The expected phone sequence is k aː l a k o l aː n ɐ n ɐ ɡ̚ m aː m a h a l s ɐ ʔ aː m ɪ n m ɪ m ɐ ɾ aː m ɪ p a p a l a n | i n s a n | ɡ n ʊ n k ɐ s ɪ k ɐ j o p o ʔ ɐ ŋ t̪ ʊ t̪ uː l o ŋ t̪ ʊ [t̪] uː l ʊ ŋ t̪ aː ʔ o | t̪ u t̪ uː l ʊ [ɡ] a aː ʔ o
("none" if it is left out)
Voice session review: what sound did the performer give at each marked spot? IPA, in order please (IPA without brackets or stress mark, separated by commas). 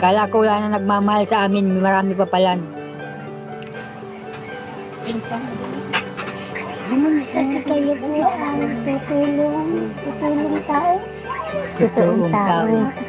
t̪, ŋ